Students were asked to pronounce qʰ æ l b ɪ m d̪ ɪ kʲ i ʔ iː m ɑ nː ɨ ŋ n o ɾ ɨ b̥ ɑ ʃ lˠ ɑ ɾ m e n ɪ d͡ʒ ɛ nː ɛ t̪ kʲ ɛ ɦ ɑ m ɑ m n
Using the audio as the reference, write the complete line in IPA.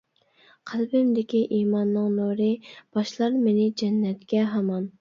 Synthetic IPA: qʰ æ l b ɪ m d̪ ɪ kʲ i ʔ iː m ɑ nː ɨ ŋ n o ɾ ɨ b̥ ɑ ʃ lˠ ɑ ɾ m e n ɪ d͡ʒ ɛ nː ɛ t̪ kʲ ɛ ɦ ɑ m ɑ n

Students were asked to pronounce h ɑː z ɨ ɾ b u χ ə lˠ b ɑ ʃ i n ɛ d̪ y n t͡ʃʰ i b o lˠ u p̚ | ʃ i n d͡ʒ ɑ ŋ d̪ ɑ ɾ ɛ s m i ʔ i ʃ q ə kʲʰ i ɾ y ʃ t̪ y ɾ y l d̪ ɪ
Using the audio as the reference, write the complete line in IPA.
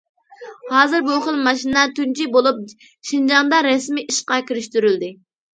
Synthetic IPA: h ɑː z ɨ ɾ b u χ ə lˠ m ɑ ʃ i n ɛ t̪ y n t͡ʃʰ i b o lˠ u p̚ | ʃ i n d͡ʒ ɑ ŋ d̪ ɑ ɾ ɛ s m i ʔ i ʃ q ɑ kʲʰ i ɾ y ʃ t̪ y ɾ y l d̪ ɪ

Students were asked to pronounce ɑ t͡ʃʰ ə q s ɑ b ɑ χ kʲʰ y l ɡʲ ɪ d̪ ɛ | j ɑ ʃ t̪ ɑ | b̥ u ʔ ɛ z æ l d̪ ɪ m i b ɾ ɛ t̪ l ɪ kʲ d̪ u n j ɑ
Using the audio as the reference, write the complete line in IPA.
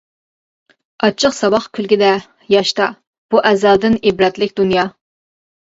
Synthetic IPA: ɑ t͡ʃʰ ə q s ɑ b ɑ χ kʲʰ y l ɡʲ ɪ d̪ ɛ | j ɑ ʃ t̪ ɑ | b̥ u ʔ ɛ z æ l d̪ ɪ n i b ɾ ɛ t̪ l ɪ kʲ d̪ u n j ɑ

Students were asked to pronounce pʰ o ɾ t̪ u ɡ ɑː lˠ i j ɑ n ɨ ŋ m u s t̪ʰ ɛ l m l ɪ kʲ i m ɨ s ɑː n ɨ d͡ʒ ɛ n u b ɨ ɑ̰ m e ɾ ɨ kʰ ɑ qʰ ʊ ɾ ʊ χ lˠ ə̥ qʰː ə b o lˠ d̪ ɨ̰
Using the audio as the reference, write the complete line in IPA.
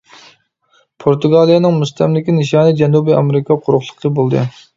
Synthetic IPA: pʰ o ɾ t̪ u ɡ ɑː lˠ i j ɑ n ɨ ŋ m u s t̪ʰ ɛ m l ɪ kʲ i n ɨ ʃ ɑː n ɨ d͡ʒ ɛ n u b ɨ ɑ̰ m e ɾ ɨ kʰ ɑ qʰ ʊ ɾ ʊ χ lˠ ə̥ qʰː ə b o lˠ d̪ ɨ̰

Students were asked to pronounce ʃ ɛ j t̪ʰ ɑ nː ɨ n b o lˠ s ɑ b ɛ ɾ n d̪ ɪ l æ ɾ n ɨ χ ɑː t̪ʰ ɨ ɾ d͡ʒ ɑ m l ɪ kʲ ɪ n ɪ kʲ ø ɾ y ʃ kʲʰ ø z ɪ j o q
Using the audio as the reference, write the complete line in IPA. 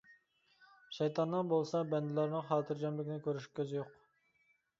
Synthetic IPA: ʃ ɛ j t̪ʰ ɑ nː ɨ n b o lˠ s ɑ b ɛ n d̪ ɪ l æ ɾ n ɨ χ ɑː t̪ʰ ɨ ɾ d͡ʒ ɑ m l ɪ kʲ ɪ n ɪ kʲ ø ɾ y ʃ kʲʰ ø z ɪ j o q

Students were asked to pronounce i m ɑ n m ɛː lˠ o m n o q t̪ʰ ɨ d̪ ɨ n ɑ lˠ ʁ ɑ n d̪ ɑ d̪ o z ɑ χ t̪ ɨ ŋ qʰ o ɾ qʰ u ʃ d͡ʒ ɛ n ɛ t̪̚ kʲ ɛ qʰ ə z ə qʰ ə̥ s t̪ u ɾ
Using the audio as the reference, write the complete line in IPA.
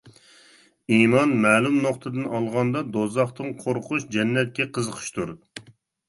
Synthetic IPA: i m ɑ n m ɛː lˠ u m n o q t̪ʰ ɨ d̪ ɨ n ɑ lˠ ʁ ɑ n d̪ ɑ d̪ o z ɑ χ t̪ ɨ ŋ qʰ o ɾ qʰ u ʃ d͡ʒ ɛ nː ɛ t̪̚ kʲ ɛ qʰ ə z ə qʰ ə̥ ʃ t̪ u ɾ

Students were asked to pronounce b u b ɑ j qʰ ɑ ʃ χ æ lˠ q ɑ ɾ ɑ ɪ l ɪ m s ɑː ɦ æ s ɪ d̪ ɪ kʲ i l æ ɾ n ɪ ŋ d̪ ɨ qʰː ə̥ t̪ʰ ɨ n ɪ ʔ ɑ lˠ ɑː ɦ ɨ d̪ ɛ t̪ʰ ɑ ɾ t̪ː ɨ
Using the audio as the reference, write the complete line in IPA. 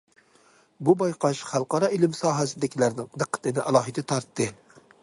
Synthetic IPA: b u b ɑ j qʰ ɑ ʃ χ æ lˠ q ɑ ɾ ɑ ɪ l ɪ m s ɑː ɦ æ s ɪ d̪ ɪ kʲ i l æ ɾ n ɪ ŋ d̪ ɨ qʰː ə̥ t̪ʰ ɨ n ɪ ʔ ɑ lˠ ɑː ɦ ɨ d̪ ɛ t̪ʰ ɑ ɾ t̪ː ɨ

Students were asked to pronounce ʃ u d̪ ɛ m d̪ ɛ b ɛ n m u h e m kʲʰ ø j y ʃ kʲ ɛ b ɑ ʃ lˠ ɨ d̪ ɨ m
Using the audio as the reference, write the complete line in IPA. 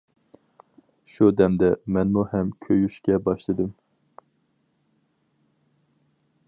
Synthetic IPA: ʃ u d̪ ɛ m d̪ ɛ m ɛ n m u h ɛ m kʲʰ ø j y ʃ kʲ ɛ b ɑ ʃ lˠ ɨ d̪ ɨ m

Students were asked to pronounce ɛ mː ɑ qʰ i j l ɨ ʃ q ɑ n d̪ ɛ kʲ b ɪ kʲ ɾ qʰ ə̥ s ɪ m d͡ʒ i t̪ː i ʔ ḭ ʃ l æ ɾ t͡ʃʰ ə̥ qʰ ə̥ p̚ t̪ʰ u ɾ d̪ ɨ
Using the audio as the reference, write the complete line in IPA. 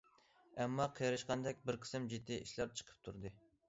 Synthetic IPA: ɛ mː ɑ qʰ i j ɾ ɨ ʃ q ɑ n d̪ ɛ kʲ b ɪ ɾ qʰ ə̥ s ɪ m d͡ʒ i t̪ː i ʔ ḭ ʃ l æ ɾ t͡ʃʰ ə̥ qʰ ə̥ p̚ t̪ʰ u ɾ d̪ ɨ

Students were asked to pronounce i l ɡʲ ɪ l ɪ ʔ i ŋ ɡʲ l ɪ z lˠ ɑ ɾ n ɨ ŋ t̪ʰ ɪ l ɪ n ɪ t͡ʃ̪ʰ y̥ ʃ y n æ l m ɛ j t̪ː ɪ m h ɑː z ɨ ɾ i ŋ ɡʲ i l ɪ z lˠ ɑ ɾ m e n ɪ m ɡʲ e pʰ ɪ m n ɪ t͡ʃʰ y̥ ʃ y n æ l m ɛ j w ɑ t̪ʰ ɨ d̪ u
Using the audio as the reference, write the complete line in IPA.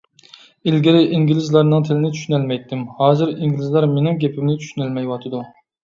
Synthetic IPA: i l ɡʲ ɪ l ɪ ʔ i ŋ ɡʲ l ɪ z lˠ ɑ ɾ n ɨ ŋ t̪ʰ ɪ l ɪ n ɪ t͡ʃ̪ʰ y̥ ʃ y n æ l m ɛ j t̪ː ɪ m h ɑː z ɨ ɾ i ŋ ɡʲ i l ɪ z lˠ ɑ ɾ m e n ɪ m ɡʲ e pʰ ɪ m n ɪ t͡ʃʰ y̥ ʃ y n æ l m ɛ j w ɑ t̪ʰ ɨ d̪ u

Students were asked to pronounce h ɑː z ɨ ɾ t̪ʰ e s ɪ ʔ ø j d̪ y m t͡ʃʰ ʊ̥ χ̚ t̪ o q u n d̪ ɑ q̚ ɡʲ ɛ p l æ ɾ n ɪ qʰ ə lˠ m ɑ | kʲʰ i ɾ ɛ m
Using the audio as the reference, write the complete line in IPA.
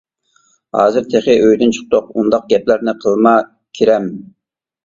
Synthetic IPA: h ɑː z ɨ ɾ t̪ʰ e χ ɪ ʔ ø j d̪ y n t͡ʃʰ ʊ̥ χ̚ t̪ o q u n d̪ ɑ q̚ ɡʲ ɛ p l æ ɾ n ɪ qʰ ə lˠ m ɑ | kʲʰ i ɾ ɛ m

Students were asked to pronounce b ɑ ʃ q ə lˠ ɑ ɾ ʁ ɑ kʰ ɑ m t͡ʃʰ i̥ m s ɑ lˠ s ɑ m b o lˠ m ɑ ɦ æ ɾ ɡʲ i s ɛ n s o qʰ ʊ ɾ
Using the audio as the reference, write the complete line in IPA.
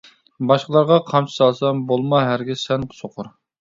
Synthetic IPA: b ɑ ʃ q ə lˠ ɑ ɾ ʁ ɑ qʰ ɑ m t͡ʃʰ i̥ s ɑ lˠ s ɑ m b o lˠ m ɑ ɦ æ ɾ ɡʲ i s ɛ n s o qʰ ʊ ɾ

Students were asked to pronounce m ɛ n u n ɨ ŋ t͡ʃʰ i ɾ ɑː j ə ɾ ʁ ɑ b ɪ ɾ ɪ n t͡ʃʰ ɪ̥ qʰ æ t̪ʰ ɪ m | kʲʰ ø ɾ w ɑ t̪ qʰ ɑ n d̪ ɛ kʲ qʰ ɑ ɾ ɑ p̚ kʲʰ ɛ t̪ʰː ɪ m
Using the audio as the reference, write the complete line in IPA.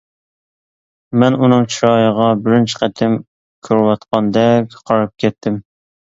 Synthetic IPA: m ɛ n u n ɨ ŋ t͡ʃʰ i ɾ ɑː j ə ʁ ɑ b ɪ ɾ ɪ n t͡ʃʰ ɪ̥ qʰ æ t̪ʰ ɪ m | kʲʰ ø ɾ w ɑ t̪ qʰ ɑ n d̪ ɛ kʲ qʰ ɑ ɾ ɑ p̚ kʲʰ ɛ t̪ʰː ɪ m

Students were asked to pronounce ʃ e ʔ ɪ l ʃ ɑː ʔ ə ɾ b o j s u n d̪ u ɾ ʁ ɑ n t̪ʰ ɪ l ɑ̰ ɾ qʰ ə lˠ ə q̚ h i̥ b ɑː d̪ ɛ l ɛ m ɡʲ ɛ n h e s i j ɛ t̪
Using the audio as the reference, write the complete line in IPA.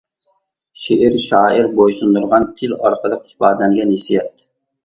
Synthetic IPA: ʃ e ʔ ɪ ɾ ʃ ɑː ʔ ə ɾ b o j s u n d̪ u ɾ ʁ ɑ n t̪ʰ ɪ l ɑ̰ ɾ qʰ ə lˠ ə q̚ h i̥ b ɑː d̪ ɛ l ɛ ŋ ɡʲ ɛ n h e s i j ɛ t̪

